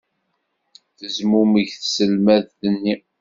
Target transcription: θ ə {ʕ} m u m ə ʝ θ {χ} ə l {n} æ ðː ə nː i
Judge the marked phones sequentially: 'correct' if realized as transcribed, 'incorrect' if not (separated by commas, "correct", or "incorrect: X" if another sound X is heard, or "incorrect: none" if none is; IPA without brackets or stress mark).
incorrect: z, incorrect: s, incorrect: m